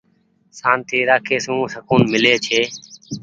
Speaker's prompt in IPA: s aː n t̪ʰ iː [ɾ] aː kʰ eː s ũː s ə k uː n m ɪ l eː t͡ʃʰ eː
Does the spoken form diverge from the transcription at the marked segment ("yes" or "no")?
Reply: no